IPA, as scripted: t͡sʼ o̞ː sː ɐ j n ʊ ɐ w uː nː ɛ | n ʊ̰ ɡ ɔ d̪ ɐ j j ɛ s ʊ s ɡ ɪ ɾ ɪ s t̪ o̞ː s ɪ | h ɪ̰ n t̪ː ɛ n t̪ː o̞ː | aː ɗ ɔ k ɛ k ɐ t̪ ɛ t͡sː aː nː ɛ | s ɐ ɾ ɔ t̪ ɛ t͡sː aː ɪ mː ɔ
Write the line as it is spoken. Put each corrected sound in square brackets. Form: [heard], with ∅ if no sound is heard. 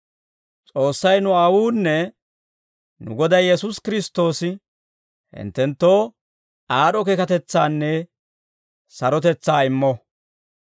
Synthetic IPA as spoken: t͡sʼ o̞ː sː ɐ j n ʊ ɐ w uː nː ɛ | n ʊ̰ ɡ ɔ d̪ ɐ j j ɛ s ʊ s [k] ɪ ɾ ɪ s t̪ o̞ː s ɪ | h ɪ̰ n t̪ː ɛ n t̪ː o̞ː | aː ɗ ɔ k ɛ k ɐ t̪ ɛ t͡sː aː nː ɛ | s ɐ ɾ ɔ t̪ ɛ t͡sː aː ɪ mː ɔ